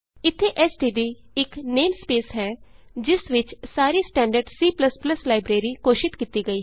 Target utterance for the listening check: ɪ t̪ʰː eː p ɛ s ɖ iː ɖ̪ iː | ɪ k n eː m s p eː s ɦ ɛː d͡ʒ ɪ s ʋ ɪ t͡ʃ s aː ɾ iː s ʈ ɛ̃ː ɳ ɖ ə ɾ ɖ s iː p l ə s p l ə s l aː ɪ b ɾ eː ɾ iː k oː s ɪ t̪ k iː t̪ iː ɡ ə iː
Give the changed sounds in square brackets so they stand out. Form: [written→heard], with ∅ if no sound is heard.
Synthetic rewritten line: ɪ t̪ʰː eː [p→ʔ] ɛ s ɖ iː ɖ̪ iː | ɪ k n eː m s p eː s ɦ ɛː d͡ʒ ɪ s ʋ ɪ t͡ʃ s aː ɾ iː s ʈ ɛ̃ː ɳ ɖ ə ɾ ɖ s iː p l ə s p l ə s l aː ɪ b ɾ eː ɾ iː k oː [s→ʃ] ɪ t̪ k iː t̪ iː ɡ ə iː

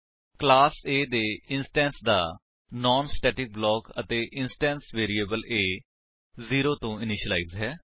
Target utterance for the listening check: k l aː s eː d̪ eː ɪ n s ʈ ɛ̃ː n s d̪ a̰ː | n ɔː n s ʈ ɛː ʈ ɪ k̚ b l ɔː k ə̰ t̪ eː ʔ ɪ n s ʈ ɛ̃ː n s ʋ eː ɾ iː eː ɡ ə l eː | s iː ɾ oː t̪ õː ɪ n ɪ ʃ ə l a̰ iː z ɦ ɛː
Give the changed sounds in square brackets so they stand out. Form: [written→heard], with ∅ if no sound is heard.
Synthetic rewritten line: k l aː s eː d̪ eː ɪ n s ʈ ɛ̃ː n s d̪ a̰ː | n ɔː n s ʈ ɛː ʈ ɪ k̚ b l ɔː k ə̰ t̪ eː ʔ ɪ n s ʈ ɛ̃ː n s ʋ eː ɾ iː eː [ɡ→b] ə l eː | [s→z] iː ɾ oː t̪ õː ɪ n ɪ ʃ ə l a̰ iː z ɦ ɛː

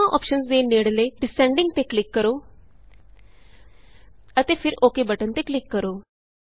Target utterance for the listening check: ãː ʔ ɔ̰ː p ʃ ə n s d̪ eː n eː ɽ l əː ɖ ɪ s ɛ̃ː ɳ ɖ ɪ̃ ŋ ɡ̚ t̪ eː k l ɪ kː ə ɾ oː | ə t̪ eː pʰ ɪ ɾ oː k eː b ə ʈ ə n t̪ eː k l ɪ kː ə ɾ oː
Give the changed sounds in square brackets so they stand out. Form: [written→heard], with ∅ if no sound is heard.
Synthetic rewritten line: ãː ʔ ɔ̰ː p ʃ ə n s d̪ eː n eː ɽ l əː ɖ ɪ s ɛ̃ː ɳ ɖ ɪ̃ ŋ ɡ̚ t̪ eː k l ɪ kː ə ɾ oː | ə t̪ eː pʰ ɪ ɾ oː k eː b ə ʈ ə n t̪ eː k l ɪ kː ə ɾ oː

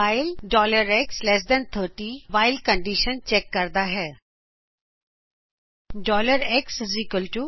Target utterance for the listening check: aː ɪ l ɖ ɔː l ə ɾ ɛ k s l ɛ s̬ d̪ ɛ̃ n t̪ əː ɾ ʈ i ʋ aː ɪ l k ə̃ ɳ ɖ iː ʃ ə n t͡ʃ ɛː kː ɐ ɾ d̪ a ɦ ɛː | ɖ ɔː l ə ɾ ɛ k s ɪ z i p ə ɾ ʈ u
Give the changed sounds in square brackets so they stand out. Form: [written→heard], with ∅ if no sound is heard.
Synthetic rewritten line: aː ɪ l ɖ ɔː l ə ɾ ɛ k s l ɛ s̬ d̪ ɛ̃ n [t̪→t̪ʰ] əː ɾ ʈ i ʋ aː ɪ l k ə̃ ɳ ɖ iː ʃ ə n t͡ʃ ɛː kː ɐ ɾ d̪ a ɦ ɛː | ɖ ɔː l ə ɾ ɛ k s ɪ z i [p→k] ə [ɾ→l] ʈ u

